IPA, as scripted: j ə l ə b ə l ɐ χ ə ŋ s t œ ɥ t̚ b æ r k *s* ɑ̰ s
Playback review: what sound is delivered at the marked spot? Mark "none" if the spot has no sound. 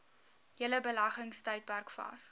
f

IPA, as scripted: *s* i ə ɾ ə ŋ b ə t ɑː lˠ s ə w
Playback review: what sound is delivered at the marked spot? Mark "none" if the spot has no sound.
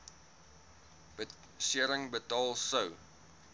s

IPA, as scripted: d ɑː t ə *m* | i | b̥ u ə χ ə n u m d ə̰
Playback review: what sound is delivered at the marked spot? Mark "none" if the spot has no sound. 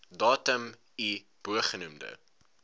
m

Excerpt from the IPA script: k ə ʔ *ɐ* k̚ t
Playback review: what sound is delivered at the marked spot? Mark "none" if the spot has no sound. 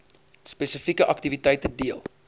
ɐ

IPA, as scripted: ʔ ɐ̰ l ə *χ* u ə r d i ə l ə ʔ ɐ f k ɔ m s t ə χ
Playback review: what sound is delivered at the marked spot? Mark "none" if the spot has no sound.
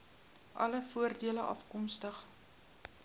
f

